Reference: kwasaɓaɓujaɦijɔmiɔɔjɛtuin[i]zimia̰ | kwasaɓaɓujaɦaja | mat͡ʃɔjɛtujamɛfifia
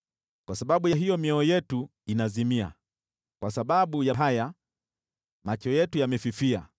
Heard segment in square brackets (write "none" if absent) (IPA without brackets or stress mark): a